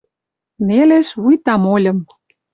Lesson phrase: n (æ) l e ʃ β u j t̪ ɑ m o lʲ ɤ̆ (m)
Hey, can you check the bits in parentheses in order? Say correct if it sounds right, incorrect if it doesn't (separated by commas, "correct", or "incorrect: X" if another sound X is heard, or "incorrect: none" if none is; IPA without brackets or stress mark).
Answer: incorrect: e, correct